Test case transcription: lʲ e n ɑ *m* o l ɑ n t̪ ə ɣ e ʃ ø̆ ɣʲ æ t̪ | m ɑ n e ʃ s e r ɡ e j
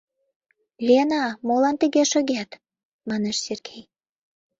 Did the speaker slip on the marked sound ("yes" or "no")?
no